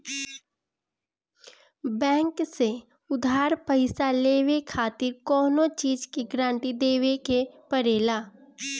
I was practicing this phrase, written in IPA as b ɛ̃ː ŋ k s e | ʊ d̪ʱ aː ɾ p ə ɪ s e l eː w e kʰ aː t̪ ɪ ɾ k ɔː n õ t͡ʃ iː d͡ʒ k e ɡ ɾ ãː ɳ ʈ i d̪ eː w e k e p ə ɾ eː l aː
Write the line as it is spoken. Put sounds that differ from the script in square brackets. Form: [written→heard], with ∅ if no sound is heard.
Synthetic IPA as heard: b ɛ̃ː ŋ k s e | ʊ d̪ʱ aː ɾ p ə ɪ s [e→a] l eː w e kʰ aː t̪ ɪ ɾ k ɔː n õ t͡ʃ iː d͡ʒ k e ɡ ɾ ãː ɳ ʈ i d̪ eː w e k e p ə ɾ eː l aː